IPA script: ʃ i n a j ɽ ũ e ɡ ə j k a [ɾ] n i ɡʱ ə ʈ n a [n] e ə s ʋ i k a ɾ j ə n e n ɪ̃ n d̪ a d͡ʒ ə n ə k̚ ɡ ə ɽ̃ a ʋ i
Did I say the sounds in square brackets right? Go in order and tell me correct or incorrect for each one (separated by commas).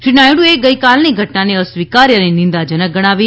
incorrect, correct